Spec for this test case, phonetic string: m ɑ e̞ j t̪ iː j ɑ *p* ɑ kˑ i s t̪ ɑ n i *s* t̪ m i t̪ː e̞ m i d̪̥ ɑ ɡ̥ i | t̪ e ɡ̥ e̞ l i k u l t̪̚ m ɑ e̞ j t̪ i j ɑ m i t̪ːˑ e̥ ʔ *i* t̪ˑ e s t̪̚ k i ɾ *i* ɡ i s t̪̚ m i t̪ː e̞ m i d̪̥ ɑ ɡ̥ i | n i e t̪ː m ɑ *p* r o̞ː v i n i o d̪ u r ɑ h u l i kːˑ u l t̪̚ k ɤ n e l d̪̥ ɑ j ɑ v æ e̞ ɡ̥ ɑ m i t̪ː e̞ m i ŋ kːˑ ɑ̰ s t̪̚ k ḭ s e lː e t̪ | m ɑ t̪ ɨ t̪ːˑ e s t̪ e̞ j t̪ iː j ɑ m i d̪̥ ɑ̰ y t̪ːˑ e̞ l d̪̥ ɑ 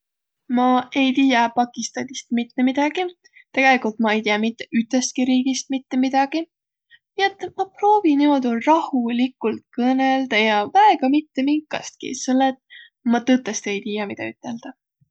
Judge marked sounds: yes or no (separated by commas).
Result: yes, yes, no, no, yes